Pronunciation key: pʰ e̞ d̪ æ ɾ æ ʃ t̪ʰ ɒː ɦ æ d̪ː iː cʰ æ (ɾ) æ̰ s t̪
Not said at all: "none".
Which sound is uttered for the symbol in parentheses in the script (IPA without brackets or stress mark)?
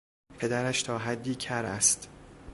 ɾ